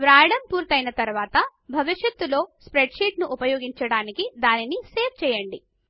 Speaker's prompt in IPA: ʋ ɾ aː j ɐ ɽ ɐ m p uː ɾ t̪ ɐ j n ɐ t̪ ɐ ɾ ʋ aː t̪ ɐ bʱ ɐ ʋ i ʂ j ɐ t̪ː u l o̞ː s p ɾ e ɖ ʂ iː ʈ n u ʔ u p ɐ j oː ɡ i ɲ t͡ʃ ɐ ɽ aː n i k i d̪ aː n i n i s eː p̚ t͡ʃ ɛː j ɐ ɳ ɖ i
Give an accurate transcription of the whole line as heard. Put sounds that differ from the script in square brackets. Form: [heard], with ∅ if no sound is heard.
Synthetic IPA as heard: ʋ ɾ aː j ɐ ɽ ɐ m p uː ɾ t̪ ɐ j n ɐ t̪ ɐ ɾ ʋ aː t̪ ɐ bʱ ɐ ʋ i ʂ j ɐ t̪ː u l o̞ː s p ɾ e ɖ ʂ iː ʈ n u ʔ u p ɐ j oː ɡ i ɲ t͡ʃ ɐ ɽ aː n i k i d̪ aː n i n i s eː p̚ t͡ʃ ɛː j ɐ ɳ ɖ i